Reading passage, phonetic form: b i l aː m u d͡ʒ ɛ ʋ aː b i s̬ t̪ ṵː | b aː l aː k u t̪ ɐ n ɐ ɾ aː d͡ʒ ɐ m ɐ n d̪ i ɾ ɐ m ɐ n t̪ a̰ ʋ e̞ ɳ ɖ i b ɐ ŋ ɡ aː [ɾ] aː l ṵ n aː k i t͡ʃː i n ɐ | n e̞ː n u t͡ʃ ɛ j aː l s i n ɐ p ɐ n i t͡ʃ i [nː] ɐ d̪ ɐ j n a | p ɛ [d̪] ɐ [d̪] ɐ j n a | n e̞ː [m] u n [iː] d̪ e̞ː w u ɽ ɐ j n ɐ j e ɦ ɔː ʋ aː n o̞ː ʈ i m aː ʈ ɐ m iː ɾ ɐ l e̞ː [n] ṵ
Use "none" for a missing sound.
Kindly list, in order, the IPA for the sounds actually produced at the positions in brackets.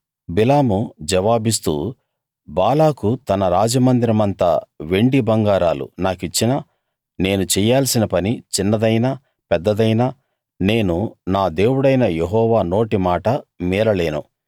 ɾ, nː, d̪ː, d̪, n, aː, n

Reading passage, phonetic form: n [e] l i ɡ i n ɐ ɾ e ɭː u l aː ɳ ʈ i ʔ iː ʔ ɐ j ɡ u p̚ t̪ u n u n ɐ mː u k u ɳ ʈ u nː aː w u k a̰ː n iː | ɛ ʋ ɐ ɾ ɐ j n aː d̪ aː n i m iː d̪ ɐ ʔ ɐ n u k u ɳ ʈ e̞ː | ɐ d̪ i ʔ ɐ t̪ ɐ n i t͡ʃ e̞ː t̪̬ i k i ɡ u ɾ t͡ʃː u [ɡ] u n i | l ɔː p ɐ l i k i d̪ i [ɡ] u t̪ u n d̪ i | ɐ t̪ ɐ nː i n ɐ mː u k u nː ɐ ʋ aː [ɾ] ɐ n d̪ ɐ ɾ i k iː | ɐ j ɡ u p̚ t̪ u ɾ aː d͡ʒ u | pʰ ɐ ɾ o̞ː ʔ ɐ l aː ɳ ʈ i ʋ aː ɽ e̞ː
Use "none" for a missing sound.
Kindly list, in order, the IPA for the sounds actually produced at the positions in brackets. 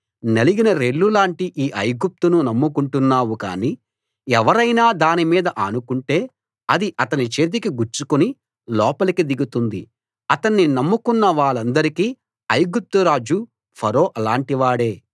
e, k, ɡ, ɭ

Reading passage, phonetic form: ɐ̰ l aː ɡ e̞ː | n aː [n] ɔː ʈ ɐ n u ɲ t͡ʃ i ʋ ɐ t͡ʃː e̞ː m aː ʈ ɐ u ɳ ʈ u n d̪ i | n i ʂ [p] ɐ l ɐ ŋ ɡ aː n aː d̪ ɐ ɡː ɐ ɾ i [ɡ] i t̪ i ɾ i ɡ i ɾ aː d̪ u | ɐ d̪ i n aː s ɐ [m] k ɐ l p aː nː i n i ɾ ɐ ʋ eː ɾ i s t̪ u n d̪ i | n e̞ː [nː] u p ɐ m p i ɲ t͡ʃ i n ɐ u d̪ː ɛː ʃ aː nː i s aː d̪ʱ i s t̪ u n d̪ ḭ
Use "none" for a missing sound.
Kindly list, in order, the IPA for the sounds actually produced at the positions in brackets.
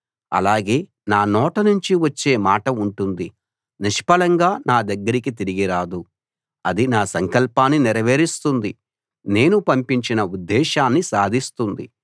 n, p, k, ŋ, n

